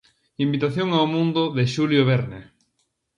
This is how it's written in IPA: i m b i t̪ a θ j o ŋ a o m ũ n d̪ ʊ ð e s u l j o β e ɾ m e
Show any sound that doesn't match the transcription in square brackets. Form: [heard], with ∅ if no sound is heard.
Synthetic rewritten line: i m b i t̪ a θ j o ŋ a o m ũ n d̪ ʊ ð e [ʃ] u l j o β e ɾ [n] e